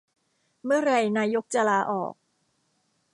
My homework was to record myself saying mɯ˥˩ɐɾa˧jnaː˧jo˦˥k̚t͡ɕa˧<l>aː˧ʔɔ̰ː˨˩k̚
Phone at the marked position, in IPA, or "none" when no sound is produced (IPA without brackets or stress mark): l